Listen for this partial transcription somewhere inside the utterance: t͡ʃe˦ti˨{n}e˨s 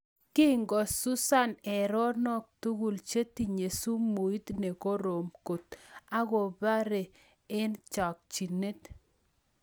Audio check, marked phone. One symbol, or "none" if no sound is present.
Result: ɲ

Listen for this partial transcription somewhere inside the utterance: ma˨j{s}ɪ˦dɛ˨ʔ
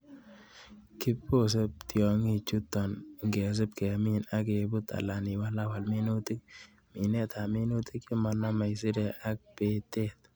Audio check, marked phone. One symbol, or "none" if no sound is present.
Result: s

